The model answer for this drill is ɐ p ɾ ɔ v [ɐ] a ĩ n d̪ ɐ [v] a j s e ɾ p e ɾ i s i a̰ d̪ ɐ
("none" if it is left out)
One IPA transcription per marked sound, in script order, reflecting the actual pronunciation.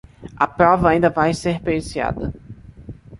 ɐ, v

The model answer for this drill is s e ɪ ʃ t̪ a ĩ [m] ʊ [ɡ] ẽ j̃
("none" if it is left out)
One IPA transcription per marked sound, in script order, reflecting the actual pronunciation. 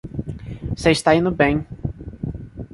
n, b

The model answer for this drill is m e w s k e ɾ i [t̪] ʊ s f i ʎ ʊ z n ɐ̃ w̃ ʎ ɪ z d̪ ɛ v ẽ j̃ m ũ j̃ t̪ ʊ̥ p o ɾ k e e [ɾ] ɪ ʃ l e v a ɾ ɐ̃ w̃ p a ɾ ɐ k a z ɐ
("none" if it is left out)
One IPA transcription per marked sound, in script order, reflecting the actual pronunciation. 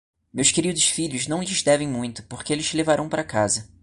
d̪, l

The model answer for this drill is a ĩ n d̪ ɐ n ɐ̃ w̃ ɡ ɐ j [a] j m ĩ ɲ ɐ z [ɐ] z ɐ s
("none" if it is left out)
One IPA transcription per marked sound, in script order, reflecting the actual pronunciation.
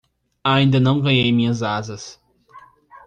e, a

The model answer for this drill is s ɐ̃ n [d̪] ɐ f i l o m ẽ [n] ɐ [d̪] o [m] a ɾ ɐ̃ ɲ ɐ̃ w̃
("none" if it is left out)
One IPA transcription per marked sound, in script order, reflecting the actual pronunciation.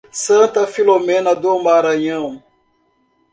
t̪, n, d̪, m

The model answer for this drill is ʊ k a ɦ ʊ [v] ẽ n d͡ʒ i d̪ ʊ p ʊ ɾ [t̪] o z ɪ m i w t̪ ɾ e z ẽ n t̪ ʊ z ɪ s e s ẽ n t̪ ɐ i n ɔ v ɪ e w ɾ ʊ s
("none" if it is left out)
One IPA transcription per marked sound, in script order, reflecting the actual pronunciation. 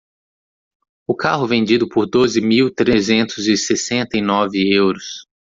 v, d̪

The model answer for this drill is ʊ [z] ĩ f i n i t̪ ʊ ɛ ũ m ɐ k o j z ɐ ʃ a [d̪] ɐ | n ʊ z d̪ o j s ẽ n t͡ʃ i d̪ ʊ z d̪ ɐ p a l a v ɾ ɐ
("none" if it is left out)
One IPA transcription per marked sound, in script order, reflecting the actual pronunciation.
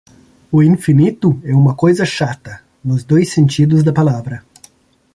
none, t̪

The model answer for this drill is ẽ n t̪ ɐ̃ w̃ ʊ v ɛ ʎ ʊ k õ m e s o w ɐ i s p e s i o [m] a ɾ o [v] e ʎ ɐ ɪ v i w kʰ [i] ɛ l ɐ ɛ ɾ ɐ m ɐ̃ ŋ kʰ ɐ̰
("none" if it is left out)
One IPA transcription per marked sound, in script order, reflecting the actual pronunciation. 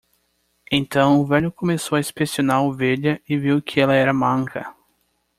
n, v, ɪ

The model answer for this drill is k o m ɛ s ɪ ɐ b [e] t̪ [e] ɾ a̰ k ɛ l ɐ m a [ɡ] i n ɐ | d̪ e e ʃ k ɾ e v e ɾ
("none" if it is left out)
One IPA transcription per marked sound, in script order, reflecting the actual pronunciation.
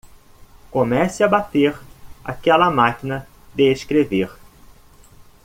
a, e, k

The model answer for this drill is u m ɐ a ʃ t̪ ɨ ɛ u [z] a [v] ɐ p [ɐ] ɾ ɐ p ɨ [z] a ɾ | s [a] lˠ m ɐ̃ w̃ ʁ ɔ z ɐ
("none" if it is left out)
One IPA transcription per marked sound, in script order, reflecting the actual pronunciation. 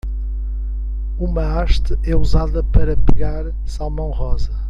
z, ð, ɐ, ɣ, a

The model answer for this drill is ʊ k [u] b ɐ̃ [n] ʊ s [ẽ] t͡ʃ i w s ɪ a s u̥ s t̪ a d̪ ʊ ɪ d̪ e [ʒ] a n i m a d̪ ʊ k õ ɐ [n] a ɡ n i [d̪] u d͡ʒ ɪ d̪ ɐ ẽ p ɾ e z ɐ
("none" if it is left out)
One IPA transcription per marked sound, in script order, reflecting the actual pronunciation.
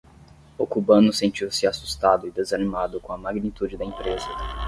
u, n, ẽ, z, m, t̪

